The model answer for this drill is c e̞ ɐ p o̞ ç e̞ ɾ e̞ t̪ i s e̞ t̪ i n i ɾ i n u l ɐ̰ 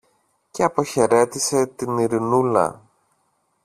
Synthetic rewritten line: c e̞ ɐ p o̞ ç e̞ ɾ e̞ t̪ i s e̞ t̪ i n i ɾ i n u l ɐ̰